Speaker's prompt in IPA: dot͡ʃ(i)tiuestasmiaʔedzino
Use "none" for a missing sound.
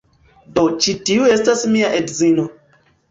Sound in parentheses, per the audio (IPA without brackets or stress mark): i